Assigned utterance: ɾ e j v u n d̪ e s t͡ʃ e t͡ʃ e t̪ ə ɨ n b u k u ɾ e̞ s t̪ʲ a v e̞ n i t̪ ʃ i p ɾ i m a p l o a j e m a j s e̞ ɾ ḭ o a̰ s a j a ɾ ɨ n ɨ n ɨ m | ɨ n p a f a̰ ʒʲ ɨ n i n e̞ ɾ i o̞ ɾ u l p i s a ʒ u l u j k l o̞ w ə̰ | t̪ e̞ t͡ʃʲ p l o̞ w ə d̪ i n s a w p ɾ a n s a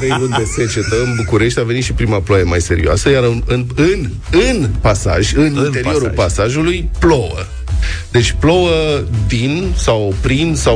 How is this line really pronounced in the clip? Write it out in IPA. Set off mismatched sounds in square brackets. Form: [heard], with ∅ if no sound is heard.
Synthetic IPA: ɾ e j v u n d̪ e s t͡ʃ e t͡ʃ e t̪ ə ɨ n b u k u ɾ e̞ [ʃ] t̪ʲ a v e̞ n i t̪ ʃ i p ɾ i m a p l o a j e m a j s e̞ ɾ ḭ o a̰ s [ə] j a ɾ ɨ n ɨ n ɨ [n] | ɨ n p a [s] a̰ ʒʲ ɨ n i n e̞ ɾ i o̞ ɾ u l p [a] s a ʒ u l u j [p] l o̞ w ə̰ | [d̪] e̞ t͡ʃʲ p l o̞ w ə d̪ i n s a w p ɾ [i] n s a